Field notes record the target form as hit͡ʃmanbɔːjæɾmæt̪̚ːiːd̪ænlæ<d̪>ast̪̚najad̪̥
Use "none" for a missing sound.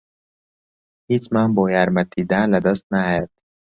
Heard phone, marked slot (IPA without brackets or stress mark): d̪